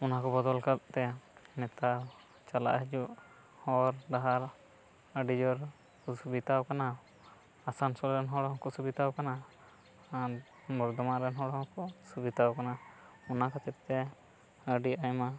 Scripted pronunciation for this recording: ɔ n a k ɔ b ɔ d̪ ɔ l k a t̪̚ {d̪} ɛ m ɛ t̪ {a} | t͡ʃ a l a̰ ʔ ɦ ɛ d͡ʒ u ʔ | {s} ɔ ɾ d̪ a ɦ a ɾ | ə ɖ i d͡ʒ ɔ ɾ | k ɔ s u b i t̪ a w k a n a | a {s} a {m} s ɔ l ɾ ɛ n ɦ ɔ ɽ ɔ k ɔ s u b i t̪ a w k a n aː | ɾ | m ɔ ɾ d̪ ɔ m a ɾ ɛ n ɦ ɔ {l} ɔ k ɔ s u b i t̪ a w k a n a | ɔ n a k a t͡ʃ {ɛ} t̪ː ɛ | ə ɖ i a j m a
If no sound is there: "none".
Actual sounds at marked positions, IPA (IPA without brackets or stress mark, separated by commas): t̪, a, h, s, n, ɽ, ɛ